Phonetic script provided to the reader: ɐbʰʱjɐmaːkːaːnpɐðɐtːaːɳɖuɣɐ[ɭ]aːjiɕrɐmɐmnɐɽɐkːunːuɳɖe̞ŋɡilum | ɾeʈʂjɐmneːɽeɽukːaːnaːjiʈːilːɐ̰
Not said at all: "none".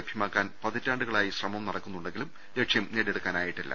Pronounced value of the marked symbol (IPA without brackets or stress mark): ɭ